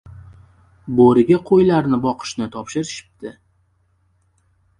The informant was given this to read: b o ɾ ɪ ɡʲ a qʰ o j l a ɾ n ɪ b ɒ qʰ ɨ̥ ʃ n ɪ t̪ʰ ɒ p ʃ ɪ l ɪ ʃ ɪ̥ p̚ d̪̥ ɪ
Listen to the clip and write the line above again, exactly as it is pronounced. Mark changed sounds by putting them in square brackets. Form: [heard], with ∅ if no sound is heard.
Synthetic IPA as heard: b o ɾ ɪ ɡʲ a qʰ o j l a ɾ n ɪ b ɒ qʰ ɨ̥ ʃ n ɪ t̪ʰ ɒ p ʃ ɪ [ɾ] ɪ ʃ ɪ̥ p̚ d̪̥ ɪ